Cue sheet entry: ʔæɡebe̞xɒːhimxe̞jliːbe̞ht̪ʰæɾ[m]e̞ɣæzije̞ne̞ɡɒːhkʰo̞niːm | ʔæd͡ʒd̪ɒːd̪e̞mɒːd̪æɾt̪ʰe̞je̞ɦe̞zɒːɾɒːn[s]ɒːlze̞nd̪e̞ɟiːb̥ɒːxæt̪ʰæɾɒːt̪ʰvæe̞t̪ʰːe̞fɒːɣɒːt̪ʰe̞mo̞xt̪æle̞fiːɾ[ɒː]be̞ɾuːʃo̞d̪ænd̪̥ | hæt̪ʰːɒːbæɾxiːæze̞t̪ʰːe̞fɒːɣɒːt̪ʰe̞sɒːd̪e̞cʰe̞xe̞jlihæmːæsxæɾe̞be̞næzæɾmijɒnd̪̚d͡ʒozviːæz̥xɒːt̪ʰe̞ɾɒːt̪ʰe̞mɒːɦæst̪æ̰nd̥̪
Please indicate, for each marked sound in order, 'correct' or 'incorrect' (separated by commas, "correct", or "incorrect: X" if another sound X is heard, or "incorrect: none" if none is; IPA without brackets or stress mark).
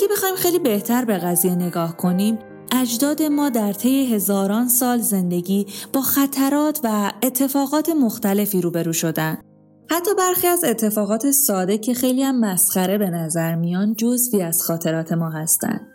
incorrect: b, correct, incorrect: uː